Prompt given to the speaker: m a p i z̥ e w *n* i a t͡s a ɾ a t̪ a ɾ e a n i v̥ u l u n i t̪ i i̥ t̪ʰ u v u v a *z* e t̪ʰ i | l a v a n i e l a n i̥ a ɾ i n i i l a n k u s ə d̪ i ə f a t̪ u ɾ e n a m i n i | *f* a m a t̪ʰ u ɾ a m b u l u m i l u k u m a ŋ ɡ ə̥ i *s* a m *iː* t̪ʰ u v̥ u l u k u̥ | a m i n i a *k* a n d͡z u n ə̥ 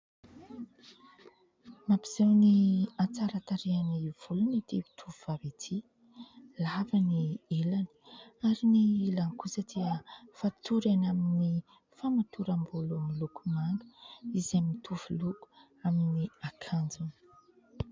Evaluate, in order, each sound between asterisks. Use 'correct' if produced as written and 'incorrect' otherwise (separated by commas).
correct, incorrect, correct, incorrect, incorrect, incorrect